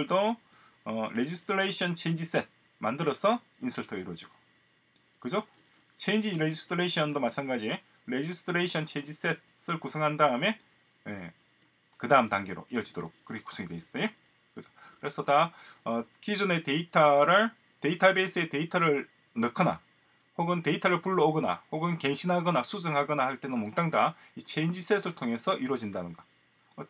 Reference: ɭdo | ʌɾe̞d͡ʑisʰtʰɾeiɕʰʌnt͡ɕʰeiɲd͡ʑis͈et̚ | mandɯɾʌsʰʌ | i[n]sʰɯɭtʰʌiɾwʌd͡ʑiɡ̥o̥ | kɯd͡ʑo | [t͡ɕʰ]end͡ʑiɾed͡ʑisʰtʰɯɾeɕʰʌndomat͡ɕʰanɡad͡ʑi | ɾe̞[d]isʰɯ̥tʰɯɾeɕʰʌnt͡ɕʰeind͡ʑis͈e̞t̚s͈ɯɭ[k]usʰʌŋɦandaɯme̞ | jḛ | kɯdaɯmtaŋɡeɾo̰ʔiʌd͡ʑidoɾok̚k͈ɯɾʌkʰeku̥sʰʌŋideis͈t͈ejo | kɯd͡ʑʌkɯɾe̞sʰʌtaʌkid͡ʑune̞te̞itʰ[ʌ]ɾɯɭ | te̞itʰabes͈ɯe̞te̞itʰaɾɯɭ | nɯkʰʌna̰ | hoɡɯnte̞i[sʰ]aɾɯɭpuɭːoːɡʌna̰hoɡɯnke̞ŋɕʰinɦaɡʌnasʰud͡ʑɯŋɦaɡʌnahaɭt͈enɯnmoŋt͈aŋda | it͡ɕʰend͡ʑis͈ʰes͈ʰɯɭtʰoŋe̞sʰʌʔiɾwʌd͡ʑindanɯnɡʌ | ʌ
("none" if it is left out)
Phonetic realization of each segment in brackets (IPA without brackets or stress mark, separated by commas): n, t͡ɕʰ, d͡ʑ, k, a, tʰ